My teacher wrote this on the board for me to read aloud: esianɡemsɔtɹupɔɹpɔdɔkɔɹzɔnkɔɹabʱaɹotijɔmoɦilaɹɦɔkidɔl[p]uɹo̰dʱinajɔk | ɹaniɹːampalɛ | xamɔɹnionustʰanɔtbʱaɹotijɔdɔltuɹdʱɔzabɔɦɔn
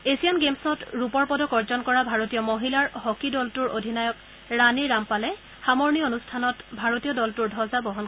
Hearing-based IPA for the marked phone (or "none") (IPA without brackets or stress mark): t